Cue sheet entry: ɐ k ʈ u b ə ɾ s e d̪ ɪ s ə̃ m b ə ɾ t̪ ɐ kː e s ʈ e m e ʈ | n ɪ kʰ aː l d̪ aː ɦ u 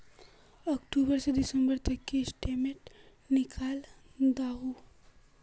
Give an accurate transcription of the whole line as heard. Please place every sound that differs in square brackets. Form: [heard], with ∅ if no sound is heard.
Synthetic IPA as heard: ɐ k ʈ u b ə ɾ s e d̪ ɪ s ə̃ m b ə ɾ t̪ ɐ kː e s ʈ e m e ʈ | n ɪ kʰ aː l d̪ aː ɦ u